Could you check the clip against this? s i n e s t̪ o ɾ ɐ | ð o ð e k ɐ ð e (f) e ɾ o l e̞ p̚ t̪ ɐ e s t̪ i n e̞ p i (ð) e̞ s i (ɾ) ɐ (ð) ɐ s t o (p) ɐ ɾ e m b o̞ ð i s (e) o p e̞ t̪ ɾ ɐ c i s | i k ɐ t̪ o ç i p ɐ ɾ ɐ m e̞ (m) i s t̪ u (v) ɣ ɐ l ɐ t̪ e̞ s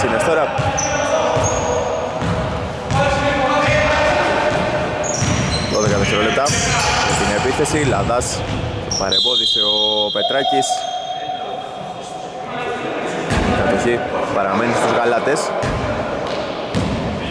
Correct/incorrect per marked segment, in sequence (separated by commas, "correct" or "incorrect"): incorrect, incorrect, incorrect, correct, correct, correct, incorrect, incorrect